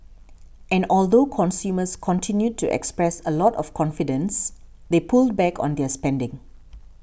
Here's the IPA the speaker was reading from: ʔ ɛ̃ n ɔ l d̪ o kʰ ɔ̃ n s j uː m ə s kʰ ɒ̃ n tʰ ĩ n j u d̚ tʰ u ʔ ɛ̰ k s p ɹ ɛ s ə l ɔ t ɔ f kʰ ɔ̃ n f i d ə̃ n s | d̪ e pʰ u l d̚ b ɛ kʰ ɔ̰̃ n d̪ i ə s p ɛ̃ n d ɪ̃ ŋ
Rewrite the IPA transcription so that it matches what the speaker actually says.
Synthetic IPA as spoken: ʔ ɛ̃ n ɔ l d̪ o kʰ ɔ̃ n s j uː m ə s kʰ ɔ̃ n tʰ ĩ n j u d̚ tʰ u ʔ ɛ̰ k s p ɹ ɛ s ə l ɔ t ɔ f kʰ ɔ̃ n f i d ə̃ n s | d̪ e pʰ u l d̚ b ɛ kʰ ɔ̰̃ n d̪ ɛ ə s p ɛ̃ n d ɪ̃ ŋ